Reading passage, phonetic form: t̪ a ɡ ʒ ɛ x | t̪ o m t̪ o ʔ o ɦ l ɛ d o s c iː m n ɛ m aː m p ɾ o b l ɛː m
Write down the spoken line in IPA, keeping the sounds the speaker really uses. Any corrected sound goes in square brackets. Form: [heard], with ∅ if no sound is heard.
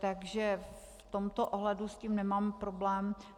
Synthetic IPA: t̪ a ɡ ʒ ɛ [f] | t̪ o m t̪ o ʔ o ɦ l ɛ d [u] s c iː m n ɛ m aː m p ɾ o b l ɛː m